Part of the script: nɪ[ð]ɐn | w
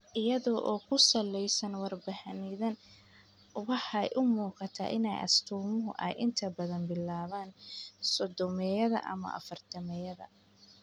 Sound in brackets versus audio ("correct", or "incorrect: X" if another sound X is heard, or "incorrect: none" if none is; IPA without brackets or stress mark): correct